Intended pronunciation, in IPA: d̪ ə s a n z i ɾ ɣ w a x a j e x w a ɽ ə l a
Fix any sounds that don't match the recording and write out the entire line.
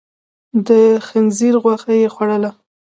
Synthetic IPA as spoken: d̪ ə x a n z i ɾ ɣ w a x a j e x w a ɽ ə l a

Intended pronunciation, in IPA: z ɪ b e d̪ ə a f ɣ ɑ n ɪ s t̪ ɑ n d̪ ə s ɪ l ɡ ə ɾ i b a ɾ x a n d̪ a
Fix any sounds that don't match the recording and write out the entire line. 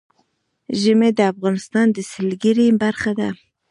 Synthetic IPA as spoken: ʒ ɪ m e d̪ ə a f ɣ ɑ n ɪ s t̪ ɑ n d̪ ə s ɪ l ɡ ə ɾ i b a ɾ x a d̪ a

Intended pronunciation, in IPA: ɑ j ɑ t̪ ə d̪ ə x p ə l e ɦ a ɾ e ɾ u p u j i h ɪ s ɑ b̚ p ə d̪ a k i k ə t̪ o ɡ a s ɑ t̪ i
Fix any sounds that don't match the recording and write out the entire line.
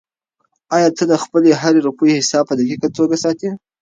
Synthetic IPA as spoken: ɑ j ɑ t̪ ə d̪ ə x p ə l e ɦ a ɾ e ɾ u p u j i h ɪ s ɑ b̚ p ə d̪ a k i k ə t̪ o ɡ a s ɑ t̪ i

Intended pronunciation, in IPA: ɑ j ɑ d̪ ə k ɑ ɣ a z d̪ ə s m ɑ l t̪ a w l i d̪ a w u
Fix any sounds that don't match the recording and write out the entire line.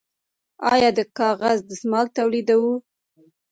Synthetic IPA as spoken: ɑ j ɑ d̪ ə k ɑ ɣ a z d̪ ə s m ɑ l t̪ a w l i d̪ a w u

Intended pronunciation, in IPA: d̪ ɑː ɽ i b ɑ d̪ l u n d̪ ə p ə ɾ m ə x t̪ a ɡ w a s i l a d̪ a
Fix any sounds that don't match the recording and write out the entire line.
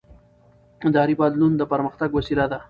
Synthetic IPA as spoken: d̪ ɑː ɾ i b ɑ d̪ l u n d̪ ə p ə ɾ m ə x t̪ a ɡ w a s i l a d̪ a

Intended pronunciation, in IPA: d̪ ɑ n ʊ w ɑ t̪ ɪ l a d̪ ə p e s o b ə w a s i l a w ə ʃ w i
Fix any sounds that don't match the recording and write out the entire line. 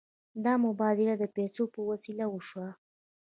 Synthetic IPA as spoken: d̪ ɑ m ʊ b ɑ d̪ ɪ l a d̪ ə p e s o p ə w a s i l a w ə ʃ w a

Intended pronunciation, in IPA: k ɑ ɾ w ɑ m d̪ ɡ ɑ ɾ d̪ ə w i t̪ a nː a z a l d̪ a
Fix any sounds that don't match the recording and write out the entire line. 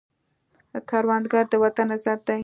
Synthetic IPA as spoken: k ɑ ɾ w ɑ n d̪ ɡ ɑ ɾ d̪ ə w a t̪ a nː a z a ɾ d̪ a

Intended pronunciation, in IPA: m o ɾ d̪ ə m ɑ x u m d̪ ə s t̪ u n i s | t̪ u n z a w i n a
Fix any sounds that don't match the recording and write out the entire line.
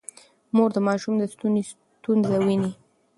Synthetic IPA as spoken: m o ɾ d̪ ə m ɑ ʃ u m d̪ ə s t̪ u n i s | t̪ u n z a w i n i

